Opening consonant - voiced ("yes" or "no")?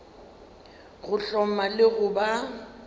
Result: yes